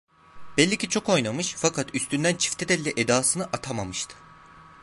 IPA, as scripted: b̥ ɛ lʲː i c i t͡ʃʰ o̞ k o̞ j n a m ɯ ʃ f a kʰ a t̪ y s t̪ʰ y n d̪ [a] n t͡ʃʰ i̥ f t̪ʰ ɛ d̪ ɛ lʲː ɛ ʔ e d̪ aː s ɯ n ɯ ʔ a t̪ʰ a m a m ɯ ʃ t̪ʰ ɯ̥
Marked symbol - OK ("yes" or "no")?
no